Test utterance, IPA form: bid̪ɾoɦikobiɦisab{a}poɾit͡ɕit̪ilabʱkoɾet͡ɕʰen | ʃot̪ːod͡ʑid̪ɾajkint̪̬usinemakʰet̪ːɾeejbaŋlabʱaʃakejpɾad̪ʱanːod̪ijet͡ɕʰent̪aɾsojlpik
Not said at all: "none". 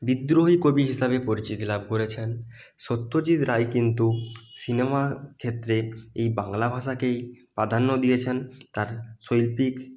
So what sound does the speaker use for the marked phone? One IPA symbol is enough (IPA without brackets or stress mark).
e